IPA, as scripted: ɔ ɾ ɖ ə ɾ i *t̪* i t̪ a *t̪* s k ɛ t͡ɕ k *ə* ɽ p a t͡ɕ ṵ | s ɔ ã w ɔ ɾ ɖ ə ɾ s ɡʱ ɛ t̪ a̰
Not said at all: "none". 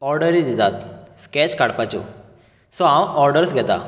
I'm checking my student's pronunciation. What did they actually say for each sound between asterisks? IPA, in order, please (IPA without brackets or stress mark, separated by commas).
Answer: d̪, t̪, a